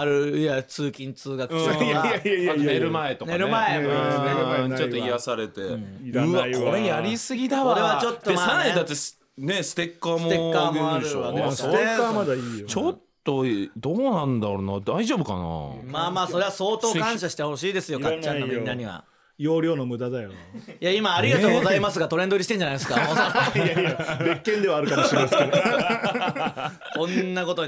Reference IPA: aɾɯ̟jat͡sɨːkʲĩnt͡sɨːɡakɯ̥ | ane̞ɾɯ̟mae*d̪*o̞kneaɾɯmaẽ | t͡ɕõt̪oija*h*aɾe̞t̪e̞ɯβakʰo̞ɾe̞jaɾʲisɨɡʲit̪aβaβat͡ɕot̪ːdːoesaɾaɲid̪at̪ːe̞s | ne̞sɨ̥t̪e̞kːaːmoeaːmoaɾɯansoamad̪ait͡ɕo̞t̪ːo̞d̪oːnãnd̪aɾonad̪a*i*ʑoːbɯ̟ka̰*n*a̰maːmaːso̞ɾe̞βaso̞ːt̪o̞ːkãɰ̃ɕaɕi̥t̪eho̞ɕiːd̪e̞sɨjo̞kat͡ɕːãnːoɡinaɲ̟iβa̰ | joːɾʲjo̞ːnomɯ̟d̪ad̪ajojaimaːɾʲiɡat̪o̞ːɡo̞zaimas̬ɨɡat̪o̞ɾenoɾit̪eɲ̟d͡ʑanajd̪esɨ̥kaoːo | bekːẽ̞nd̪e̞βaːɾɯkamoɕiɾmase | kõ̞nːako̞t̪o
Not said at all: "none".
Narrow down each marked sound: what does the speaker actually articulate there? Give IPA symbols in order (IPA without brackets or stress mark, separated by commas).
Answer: t̪, s, i, n